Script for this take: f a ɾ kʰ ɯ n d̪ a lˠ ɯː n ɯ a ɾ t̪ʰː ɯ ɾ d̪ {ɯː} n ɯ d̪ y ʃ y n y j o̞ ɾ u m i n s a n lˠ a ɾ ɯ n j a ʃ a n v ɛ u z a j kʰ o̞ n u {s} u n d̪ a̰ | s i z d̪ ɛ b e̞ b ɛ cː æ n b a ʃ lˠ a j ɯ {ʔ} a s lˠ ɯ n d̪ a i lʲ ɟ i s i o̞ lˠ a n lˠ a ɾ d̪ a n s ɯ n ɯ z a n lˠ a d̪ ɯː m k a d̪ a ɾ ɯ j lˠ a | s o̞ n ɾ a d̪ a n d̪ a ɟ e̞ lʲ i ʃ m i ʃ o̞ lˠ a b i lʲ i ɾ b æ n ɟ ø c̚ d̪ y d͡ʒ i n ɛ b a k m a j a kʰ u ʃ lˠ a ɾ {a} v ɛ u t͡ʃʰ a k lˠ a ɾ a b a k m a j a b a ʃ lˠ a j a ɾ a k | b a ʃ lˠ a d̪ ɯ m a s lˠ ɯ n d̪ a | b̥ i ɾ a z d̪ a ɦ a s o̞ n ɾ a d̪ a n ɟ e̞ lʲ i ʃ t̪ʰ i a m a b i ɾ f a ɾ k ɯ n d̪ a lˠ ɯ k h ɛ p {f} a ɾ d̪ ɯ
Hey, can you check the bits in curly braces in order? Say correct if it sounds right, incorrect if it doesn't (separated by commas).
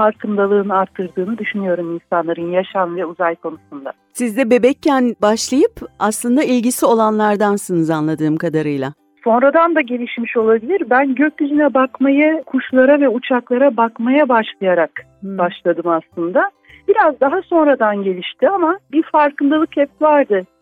correct, correct, incorrect, correct, incorrect